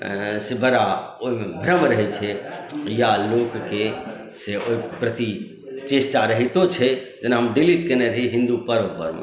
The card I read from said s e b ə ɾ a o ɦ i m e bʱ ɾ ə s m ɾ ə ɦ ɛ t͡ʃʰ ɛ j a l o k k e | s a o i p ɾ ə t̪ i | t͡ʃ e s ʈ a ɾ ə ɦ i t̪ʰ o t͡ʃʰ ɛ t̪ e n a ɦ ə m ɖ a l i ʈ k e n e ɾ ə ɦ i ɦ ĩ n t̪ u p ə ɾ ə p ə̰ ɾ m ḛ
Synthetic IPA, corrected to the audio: s e b ə ɾ a o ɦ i m e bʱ ɾ ə m ɾ ə ɦ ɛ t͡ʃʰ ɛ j a l o k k e | s e o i p ɾ ə t̪ i | t͡ʃ e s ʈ a ɾ ə ɦ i t̪ o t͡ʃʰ ɛ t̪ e n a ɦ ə m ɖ i l i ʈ k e n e ɾ ə ɦ i ɦ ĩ n d̪ u p ə ɾ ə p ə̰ ɾ m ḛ